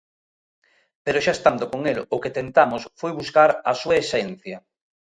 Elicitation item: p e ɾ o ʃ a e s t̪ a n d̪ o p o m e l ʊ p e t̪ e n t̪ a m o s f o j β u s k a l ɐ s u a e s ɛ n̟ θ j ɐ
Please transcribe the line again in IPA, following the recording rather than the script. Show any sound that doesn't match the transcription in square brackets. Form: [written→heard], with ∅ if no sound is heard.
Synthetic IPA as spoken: p e ɾ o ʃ a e s t̪ a n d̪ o [p→k] o [m→ŋ] e l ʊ [p→k] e t̪ e n t̪ a m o s f o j β u s k a [l→ɾ] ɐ s u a e s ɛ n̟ θ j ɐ